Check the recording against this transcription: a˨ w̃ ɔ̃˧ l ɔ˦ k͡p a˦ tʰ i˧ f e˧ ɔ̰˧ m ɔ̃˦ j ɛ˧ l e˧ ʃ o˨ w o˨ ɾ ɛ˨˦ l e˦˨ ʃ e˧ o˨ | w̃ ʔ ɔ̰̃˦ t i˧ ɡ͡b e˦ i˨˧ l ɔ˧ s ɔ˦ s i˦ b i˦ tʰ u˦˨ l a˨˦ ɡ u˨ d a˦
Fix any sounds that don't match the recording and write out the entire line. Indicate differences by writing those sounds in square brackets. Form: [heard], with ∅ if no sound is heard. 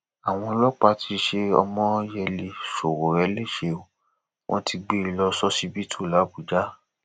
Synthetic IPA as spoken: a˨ w̃ ɔ̃˧ l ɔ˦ k͡p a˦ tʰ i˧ [ʃ] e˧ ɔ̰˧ m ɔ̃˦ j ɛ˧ l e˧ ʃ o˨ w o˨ ɾ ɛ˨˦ l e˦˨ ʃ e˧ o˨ | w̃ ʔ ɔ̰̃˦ t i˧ ɡ͡b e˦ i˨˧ l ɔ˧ s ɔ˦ s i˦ b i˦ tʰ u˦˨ l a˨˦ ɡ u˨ [d͡ʒ] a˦